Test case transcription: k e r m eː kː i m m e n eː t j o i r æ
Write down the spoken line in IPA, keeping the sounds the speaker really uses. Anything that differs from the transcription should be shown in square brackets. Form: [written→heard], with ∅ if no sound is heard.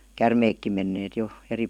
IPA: k [e→æ] r m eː kː i m m e [n→nː] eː t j o [i→e] r [æ→i]